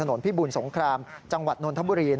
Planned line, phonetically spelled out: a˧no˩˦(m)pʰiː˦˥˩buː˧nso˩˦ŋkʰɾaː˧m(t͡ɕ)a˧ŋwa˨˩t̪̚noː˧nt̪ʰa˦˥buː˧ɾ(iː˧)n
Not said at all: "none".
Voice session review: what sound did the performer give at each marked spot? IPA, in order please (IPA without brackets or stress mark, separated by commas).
n, t͡ɕ, iː˧